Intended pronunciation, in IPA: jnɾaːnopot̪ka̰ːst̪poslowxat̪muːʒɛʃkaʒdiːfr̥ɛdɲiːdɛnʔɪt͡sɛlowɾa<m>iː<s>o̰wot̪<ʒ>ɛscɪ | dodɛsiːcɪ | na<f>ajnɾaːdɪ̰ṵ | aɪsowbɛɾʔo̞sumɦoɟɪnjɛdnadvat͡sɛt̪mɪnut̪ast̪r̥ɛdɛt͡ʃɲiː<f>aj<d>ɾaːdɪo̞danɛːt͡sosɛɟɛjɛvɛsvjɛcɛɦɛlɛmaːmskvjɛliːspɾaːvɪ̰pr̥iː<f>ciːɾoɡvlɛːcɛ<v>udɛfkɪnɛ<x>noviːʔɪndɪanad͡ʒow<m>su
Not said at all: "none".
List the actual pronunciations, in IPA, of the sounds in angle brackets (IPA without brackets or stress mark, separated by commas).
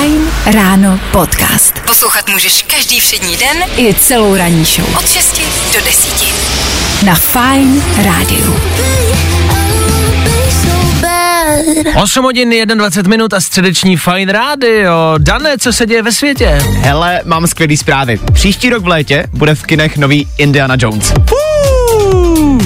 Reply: ɲ, ʃ, ʃ, f, f, n, ʃ, b, x, n